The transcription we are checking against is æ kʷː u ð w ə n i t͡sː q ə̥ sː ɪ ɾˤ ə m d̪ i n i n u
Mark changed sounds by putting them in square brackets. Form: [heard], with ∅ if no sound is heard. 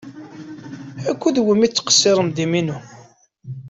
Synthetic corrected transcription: æ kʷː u ð w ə [m] i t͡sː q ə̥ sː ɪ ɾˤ ə m d̪ i [m] i n u